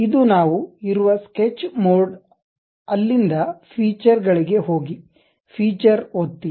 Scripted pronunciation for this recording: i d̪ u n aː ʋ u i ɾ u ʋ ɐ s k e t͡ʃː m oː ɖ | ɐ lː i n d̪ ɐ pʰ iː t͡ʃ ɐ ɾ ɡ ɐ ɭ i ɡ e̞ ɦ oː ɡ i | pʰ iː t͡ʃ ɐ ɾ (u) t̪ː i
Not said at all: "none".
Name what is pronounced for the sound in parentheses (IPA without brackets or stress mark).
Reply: o